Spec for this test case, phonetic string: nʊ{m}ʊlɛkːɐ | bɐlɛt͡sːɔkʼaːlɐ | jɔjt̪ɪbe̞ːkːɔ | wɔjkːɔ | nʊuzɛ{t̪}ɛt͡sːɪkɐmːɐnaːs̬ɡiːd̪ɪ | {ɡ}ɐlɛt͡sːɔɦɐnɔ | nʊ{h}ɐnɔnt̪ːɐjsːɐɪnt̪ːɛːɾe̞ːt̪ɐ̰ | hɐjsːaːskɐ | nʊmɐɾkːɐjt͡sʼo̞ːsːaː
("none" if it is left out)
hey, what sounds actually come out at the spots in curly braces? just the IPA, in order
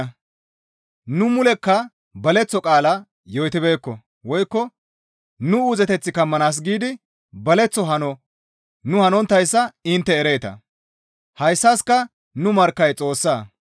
m, t̪, b, h

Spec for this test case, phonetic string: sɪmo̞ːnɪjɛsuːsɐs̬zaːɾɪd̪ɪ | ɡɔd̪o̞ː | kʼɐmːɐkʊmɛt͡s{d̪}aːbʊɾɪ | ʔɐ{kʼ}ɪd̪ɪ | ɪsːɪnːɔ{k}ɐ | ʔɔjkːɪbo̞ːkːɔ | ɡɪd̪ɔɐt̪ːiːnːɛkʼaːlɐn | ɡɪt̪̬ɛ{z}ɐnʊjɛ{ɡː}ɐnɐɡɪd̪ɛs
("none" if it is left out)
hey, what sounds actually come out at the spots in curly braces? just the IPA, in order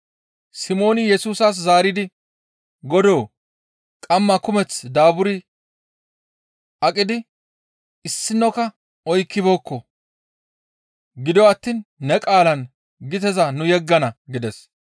d̪, kʼ, k, z, ɡː

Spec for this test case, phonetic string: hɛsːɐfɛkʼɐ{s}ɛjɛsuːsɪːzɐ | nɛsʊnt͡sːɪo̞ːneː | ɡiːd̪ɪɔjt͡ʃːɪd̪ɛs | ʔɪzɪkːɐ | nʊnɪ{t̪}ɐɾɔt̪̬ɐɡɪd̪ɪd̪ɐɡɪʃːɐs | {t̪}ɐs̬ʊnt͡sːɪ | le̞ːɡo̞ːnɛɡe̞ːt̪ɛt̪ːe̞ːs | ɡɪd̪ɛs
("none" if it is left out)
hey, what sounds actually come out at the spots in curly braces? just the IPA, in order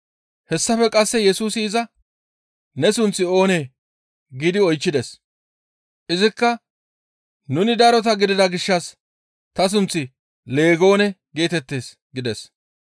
sː, d̪, t̪

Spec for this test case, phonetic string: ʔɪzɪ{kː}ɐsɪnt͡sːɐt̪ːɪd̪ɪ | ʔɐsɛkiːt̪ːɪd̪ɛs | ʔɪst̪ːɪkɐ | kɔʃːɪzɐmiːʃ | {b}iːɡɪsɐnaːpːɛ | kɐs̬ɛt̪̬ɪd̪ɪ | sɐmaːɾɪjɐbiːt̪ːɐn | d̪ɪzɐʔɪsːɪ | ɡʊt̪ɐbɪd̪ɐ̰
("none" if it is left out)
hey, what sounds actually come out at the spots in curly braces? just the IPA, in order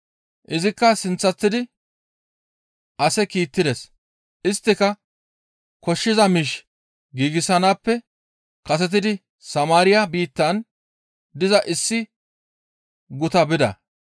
kː, ɡ

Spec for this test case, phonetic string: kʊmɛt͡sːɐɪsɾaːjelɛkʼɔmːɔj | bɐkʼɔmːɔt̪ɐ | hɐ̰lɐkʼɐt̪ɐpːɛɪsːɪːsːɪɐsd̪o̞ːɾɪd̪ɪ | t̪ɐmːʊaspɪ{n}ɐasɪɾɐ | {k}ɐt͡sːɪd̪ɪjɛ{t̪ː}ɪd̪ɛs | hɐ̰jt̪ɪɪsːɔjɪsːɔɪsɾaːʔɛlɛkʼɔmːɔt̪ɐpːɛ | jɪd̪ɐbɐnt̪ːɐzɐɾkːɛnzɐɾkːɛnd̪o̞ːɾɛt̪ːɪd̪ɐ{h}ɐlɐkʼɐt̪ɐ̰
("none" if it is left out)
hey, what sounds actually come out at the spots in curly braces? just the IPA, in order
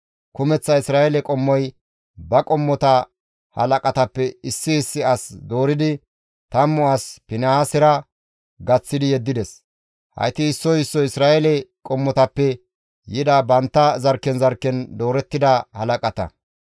n, ɡ, d̪ː, h

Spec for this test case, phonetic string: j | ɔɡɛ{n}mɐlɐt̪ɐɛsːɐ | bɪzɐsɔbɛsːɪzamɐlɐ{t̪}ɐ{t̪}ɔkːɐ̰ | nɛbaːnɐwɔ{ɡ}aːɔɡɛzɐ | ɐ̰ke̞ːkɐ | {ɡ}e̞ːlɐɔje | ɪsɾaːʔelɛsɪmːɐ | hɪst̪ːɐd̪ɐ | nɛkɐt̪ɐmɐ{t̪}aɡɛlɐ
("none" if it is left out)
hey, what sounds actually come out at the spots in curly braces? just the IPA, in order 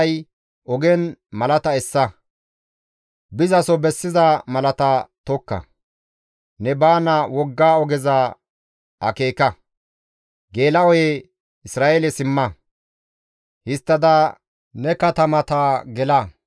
n, t̪, t̪, ɡː, ɡ, t̪

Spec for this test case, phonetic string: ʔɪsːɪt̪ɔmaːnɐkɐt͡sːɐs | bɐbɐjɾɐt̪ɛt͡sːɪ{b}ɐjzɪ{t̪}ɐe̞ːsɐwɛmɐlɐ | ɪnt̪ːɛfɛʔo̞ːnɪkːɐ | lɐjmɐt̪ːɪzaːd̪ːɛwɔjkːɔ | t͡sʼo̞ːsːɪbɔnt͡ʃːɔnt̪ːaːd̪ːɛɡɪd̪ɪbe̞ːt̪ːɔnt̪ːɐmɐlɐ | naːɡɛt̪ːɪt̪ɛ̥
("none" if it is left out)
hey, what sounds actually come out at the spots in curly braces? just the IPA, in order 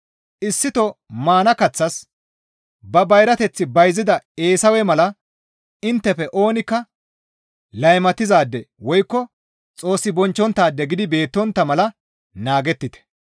b, d̪

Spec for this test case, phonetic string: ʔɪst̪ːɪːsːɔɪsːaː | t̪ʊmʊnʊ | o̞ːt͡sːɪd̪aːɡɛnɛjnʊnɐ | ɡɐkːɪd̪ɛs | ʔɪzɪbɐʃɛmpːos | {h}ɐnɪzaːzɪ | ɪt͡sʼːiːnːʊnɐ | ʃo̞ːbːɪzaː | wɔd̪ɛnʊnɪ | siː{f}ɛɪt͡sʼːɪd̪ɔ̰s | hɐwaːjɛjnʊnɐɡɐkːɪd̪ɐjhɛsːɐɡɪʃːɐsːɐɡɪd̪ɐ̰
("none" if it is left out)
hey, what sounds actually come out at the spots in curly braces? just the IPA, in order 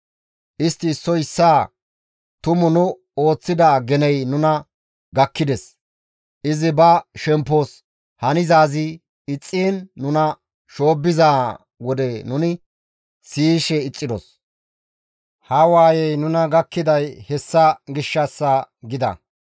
h, ʃ

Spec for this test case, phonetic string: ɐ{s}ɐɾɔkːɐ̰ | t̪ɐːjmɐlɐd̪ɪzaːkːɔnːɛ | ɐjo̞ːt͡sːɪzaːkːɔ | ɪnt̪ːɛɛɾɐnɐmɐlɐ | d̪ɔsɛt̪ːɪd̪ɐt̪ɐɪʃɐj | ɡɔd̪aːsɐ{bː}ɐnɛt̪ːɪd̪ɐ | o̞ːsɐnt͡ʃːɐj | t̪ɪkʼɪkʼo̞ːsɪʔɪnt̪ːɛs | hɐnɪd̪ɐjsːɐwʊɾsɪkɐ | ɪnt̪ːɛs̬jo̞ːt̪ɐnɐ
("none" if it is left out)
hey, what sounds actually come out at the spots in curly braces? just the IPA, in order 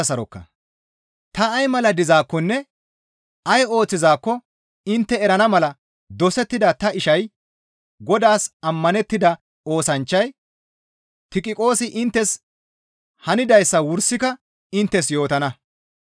s, mː

